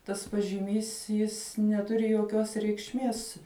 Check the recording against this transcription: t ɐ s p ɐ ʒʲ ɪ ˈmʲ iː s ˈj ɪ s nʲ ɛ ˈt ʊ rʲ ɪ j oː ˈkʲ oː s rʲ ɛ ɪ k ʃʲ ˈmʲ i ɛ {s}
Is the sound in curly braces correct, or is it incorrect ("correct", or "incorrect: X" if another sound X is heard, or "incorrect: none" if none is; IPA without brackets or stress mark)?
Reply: correct